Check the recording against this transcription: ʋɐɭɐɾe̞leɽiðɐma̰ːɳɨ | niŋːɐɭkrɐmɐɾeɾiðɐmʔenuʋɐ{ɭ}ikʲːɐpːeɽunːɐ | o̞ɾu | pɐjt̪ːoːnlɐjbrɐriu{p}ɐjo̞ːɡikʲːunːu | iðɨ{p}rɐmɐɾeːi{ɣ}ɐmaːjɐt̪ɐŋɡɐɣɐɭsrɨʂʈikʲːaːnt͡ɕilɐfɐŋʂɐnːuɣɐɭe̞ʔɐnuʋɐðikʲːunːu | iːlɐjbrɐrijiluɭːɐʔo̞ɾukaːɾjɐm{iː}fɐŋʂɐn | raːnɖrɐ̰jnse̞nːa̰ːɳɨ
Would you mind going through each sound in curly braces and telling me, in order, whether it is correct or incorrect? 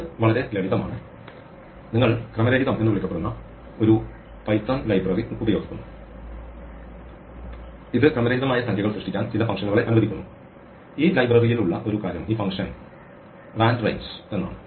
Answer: correct, incorrect, incorrect, incorrect, correct

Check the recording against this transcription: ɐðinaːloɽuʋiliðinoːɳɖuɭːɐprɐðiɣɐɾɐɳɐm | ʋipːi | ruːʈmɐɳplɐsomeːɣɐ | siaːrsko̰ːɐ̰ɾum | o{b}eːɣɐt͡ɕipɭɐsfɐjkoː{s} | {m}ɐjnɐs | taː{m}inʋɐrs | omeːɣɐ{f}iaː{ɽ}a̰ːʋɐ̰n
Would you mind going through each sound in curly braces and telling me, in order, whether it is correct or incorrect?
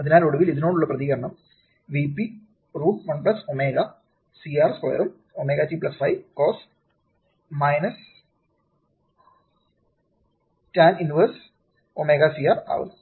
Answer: incorrect, correct, correct, incorrect, incorrect, incorrect

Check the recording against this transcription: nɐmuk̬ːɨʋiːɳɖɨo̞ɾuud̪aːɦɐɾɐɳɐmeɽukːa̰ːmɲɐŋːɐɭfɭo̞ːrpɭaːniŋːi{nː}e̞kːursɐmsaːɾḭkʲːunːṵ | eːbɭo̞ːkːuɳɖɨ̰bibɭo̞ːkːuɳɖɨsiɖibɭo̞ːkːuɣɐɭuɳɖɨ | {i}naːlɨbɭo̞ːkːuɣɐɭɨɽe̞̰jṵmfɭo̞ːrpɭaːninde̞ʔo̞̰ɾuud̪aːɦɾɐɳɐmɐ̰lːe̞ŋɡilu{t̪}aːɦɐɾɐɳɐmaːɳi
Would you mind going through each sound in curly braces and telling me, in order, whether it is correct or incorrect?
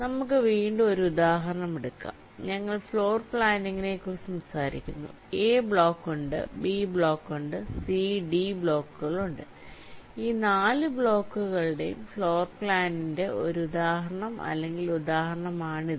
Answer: incorrect, incorrect, incorrect

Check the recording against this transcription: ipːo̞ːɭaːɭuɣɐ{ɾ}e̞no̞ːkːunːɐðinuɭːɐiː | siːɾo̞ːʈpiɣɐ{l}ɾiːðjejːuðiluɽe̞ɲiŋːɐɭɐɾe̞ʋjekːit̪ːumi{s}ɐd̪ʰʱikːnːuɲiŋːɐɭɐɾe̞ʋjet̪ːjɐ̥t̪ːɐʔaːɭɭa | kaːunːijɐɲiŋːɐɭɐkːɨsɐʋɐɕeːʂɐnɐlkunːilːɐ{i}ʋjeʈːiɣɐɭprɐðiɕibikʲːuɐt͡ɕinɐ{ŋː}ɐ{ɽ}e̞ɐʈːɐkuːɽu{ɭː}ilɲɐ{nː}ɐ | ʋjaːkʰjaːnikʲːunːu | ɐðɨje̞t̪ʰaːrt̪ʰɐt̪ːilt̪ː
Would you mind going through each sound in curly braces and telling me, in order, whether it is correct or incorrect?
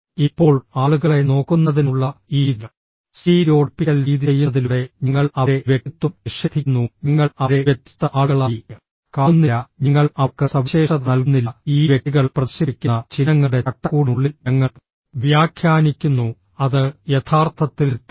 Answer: incorrect, correct, incorrect, incorrect, correct, correct, correct, incorrect

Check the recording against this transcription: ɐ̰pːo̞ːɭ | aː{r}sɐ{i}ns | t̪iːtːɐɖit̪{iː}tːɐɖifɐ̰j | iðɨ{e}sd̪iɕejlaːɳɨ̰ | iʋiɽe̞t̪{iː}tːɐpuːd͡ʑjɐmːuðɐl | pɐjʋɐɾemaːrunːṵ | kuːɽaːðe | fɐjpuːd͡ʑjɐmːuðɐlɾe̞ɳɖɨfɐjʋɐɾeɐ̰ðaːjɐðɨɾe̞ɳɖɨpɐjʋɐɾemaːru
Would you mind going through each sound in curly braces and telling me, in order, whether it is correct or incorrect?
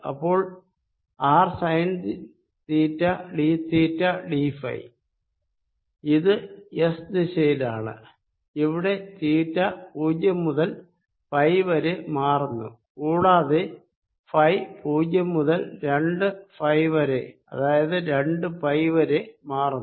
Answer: correct, incorrect, correct, correct, correct

